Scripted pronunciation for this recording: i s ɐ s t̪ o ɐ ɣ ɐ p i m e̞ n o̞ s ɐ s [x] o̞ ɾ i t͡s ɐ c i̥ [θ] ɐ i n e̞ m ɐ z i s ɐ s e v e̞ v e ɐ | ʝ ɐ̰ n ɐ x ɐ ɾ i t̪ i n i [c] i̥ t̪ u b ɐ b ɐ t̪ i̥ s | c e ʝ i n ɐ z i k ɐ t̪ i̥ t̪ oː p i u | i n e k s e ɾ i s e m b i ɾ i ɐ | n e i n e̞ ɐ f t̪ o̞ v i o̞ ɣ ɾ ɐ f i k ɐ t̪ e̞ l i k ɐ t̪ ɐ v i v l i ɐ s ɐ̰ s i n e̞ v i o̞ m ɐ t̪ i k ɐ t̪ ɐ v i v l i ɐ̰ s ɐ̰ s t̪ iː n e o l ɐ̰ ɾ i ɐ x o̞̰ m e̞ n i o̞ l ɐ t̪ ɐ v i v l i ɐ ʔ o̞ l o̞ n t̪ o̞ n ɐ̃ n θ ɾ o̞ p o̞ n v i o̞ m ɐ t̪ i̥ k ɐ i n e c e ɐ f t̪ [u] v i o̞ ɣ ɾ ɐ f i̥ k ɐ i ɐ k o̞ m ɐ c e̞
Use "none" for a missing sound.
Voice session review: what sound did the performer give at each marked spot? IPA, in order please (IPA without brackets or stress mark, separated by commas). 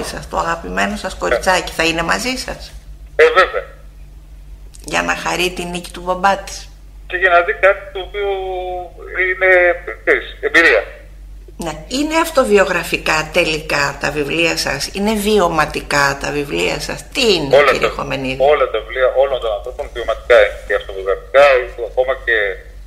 k, θ, c, o